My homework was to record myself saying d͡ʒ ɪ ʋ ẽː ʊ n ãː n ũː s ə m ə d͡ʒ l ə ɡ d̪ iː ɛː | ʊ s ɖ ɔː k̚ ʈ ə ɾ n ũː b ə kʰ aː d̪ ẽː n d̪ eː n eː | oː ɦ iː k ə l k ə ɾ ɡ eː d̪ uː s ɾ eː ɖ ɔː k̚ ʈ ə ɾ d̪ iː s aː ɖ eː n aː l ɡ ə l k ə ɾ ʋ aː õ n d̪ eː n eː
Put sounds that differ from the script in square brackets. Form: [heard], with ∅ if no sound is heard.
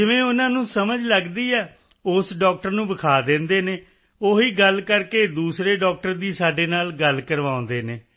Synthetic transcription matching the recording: d͡ʒ ɪ ʋ ẽː ʊ n ãː n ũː s ə m ə d͡ʒ l ə ɡ d̪ iː ɛː | ʊ s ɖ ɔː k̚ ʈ ə ɾ n ũː b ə kʰ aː d̪ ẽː n d̪ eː n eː | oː ɦ iː [ɡ] ə l k ə ɾ [k] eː d̪ uː s ɾ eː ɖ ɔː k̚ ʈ ə ɾ d̪ iː s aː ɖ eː n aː l ɡ ə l k ə ɾ ʋ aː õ n d̪ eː n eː